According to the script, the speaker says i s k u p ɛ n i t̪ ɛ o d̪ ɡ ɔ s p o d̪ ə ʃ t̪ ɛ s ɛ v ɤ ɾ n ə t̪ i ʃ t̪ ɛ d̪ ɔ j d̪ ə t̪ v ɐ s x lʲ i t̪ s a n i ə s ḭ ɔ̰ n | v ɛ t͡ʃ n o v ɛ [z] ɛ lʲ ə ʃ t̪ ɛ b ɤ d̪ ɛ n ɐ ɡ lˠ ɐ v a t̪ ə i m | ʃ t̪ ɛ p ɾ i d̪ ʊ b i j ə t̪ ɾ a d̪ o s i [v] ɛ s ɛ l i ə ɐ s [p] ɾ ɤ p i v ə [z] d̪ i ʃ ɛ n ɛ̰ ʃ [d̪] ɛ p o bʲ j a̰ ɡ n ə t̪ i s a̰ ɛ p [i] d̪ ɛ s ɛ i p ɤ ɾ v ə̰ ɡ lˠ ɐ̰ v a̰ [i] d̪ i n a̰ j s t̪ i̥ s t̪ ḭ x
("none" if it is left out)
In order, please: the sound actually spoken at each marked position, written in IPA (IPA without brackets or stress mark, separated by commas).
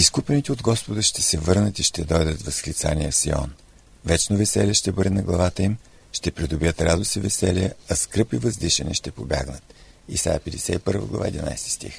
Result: s, v, k, z, t̪, ɛ, ɛ